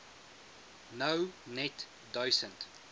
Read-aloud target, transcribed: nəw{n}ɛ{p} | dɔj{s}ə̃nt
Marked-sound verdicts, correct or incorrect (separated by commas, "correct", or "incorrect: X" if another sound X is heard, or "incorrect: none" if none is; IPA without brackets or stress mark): correct, incorrect: t, correct